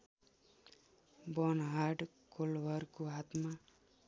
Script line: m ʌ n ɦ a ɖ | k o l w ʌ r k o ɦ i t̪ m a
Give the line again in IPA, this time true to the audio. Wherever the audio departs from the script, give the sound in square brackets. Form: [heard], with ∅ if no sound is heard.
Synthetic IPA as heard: [b] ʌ n ɦ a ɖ | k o l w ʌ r k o ɦ [a] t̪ m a